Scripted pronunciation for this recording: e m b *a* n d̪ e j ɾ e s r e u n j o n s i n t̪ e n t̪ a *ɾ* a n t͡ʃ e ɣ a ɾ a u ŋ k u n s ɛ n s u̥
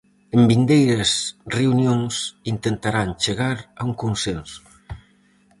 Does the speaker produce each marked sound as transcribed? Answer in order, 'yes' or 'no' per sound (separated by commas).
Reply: no, yes